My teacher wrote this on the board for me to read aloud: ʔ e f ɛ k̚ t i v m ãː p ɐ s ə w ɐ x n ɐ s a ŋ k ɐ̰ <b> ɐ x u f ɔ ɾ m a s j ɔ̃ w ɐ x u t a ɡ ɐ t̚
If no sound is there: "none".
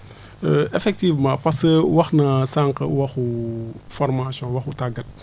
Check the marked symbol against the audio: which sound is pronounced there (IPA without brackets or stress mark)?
w